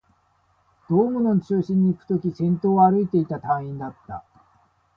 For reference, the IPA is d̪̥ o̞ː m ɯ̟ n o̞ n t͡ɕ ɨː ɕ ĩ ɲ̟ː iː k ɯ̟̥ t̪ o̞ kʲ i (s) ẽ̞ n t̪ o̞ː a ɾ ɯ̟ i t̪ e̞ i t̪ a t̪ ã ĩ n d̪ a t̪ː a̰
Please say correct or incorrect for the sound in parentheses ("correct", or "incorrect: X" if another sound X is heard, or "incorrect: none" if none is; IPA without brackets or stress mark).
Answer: correct